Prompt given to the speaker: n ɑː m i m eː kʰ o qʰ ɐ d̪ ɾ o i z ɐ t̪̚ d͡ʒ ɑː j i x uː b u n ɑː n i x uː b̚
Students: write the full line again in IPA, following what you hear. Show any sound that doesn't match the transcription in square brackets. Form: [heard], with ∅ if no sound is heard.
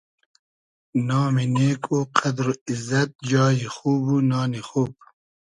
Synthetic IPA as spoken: n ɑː m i [n] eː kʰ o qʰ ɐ d̪ ɾ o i z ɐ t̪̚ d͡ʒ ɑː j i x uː b u n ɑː n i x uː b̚